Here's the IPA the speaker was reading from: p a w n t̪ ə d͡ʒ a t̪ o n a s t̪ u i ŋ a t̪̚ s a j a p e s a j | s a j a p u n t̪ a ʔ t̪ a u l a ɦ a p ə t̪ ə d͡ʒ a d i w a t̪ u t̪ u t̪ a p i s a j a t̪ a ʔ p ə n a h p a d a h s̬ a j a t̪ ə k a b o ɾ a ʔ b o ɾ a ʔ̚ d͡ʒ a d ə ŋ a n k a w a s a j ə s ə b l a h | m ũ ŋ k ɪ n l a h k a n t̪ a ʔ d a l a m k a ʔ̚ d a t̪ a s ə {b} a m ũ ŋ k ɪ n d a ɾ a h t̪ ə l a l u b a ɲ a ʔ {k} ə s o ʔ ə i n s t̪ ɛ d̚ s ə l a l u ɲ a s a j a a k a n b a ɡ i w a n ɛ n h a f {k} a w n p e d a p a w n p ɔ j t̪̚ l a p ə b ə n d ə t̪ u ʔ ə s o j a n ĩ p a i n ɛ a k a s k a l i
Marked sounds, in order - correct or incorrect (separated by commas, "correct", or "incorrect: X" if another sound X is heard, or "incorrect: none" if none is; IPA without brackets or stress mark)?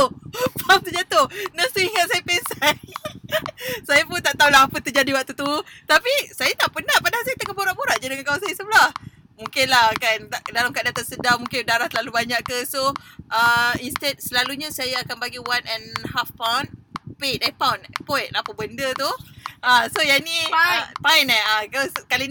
incorrect: d, correct, incorrect: p